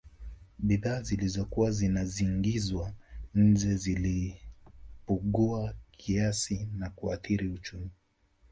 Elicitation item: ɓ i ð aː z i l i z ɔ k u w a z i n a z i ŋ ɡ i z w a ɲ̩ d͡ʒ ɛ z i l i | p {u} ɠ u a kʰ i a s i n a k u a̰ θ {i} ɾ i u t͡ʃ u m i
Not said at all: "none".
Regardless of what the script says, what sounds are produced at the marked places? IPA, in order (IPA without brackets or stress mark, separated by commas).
u, i